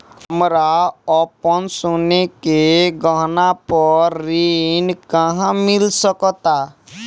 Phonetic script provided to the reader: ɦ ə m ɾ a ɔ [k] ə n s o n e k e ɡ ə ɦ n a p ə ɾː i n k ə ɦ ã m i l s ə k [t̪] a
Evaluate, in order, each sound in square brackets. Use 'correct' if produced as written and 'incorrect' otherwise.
incorrect: p, correct

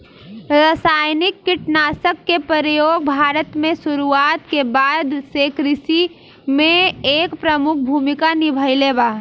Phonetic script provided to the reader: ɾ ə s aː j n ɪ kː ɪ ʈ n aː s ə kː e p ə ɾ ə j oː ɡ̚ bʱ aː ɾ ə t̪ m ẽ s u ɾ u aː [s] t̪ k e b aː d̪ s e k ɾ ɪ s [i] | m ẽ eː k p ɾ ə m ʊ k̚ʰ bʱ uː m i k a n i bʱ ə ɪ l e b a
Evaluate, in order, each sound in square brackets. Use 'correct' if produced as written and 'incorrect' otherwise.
incorrect: none, correct

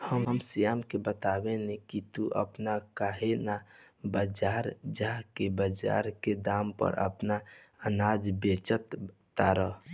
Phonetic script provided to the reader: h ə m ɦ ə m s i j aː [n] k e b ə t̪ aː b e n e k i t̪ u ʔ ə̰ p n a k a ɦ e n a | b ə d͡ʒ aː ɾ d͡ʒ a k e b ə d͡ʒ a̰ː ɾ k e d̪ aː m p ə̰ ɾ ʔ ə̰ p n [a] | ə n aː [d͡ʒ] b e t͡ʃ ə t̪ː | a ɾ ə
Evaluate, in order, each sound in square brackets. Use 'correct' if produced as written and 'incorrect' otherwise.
incorrect: m, correct, correct

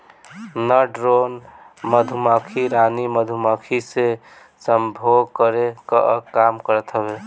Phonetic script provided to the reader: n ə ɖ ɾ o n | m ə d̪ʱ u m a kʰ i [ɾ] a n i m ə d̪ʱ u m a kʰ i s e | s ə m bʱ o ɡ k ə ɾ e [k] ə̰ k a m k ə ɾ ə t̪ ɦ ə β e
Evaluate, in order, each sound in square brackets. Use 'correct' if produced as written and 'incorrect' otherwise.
correct, correct

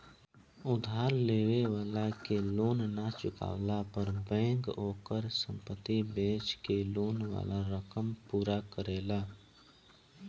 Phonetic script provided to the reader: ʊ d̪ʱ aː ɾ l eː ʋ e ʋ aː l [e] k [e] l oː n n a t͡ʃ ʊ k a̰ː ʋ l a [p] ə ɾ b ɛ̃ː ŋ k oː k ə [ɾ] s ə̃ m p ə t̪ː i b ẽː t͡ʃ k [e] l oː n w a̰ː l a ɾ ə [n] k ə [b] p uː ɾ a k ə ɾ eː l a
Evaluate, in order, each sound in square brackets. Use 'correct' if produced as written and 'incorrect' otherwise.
incorrect: a, correct, correct, correct, correct, incorrect: none, incorrect: m

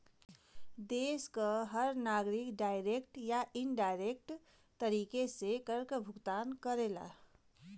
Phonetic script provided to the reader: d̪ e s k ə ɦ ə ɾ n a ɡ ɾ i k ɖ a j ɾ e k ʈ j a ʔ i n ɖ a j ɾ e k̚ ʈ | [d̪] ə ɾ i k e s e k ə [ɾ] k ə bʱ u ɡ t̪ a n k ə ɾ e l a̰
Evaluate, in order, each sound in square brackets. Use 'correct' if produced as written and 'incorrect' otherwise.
incorrect: t̪, correct

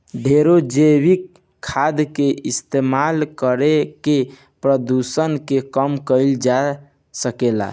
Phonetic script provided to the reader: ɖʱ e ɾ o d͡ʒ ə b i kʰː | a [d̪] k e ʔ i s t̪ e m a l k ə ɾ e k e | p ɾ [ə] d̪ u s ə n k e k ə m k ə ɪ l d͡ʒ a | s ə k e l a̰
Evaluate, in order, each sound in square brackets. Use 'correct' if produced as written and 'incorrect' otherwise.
correct, correct

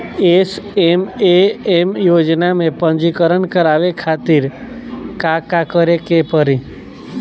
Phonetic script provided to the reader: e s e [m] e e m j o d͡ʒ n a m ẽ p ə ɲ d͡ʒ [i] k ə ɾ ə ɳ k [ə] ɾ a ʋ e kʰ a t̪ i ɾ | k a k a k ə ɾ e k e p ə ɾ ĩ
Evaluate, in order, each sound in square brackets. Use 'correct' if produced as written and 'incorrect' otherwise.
correct, correct, correct

